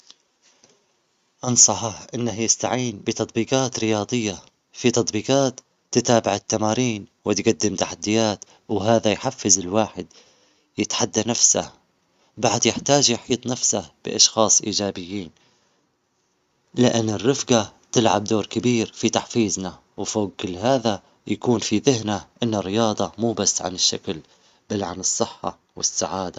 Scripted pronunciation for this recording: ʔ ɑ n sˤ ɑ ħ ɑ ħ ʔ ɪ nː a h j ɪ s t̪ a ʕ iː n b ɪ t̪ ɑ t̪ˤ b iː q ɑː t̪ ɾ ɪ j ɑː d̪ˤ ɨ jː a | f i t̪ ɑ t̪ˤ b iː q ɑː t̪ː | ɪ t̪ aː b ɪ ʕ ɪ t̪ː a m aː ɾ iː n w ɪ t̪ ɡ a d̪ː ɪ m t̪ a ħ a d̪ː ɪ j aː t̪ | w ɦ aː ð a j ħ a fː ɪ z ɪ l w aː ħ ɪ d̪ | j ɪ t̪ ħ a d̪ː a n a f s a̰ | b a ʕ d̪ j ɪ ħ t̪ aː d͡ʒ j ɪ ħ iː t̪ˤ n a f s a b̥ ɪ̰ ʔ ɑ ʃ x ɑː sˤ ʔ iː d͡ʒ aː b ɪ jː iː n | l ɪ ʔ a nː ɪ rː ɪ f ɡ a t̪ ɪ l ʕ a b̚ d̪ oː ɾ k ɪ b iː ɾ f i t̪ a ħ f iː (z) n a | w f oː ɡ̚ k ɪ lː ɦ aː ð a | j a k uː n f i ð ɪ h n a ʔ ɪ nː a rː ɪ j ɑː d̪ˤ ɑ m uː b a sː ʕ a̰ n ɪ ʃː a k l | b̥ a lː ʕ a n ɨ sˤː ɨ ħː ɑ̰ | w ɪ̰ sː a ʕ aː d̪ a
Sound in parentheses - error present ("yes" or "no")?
no